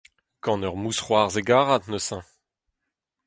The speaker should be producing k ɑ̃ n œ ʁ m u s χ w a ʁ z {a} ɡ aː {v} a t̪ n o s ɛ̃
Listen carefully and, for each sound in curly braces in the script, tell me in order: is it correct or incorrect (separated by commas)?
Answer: incorrect, incorrect